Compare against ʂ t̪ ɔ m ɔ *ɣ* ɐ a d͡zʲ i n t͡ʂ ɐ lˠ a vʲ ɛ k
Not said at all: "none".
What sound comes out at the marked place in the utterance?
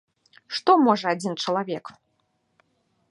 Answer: ʐ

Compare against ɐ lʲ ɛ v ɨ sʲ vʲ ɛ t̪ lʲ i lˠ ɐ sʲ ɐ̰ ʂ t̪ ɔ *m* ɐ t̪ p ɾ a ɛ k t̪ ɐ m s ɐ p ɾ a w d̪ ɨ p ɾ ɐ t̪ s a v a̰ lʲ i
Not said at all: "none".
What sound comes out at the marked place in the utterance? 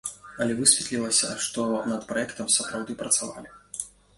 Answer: n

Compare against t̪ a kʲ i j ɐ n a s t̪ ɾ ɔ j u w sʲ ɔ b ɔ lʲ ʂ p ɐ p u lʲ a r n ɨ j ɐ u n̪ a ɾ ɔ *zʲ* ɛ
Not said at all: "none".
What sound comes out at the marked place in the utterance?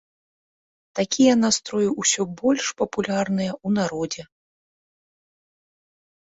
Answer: d͡zʲ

